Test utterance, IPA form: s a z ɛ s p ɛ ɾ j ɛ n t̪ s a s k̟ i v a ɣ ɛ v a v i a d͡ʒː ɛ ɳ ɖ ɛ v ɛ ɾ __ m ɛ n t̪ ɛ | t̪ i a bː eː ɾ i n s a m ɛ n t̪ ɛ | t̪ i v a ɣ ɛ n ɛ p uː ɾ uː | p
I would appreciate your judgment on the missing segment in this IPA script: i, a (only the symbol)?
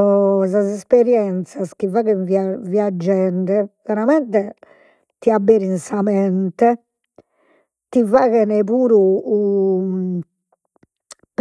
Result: a